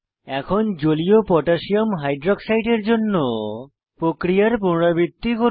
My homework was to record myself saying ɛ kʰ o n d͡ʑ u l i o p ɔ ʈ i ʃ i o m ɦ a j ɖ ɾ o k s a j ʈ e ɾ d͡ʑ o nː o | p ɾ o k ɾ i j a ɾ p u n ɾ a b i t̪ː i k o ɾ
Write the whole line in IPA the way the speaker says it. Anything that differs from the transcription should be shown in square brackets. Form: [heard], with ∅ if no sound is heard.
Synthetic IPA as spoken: ɛ kʰ o n d͡ʑ [o] l i o p ɔ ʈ [a] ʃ i o m ɦ a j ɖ ɾ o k s a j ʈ e ɾ d͡ʑ o nː o | p ɾ o k ɾ i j a ɾ p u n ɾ a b i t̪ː i k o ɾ